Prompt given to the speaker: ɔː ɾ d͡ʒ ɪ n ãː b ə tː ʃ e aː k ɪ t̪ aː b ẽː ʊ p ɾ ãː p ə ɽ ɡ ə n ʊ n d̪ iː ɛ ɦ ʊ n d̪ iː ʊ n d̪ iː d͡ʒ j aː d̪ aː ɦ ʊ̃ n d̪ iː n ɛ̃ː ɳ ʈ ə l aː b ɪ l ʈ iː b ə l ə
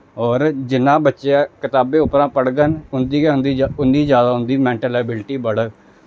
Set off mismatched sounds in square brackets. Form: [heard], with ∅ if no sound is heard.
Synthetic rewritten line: ɔː ɾ d͡ʒ ɪ n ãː b ə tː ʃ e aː k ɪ t̪ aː b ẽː ʊ p ɾ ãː p ə ɽ ɡ ə n ʊ n d̪ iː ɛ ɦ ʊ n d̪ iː ʊ n d̪ iː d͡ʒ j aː d̪ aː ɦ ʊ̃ n d̪ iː [m] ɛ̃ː ɳ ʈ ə l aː b ɪ l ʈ iː b ə [ɽ] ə